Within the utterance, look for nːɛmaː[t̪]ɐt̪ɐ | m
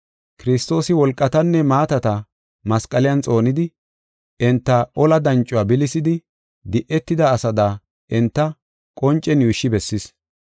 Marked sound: correct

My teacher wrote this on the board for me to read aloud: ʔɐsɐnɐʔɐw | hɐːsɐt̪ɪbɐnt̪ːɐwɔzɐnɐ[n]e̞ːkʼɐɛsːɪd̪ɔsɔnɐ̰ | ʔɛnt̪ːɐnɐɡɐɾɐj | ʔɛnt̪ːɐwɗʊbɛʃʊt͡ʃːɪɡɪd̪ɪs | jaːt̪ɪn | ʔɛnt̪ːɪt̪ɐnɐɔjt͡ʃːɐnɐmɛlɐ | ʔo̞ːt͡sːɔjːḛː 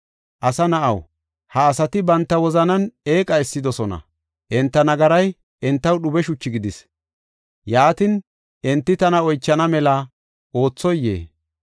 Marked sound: correct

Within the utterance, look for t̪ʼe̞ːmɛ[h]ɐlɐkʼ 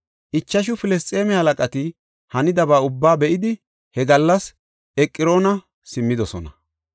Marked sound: correct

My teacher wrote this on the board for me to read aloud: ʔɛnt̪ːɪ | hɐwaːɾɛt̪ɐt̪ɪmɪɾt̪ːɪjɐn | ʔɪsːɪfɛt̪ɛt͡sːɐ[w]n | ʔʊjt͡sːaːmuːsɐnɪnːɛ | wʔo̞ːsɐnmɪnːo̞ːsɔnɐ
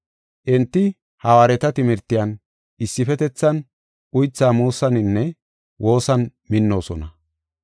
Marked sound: incorrect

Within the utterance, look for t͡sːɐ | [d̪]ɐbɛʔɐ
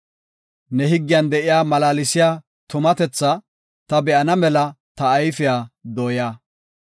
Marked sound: incorrect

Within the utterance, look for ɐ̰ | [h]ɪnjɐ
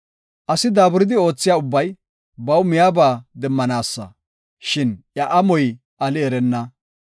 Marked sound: incorrect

